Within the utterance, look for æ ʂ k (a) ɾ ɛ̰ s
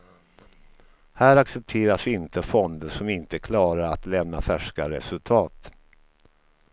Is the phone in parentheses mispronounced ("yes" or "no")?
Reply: no